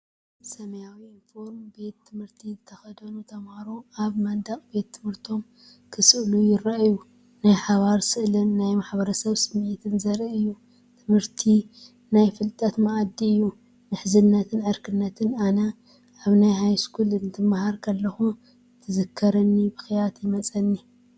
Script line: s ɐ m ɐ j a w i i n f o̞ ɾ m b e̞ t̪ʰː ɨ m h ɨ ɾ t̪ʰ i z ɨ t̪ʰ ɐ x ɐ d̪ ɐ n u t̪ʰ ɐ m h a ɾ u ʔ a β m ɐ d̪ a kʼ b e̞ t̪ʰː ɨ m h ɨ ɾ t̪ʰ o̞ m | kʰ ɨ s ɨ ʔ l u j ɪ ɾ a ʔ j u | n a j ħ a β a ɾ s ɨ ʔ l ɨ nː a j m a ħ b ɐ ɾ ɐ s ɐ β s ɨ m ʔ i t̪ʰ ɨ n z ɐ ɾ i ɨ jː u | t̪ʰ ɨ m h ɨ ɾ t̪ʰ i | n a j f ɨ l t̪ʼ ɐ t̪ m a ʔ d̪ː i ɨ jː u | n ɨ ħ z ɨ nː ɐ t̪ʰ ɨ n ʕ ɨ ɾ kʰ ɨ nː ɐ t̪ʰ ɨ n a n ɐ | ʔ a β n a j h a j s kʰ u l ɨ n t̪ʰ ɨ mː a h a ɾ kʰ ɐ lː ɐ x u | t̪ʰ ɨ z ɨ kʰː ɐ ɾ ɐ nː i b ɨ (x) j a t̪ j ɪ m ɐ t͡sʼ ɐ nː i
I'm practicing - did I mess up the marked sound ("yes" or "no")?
no